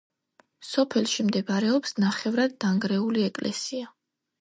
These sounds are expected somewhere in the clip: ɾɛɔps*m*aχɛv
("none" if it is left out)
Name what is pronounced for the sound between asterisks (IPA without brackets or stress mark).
n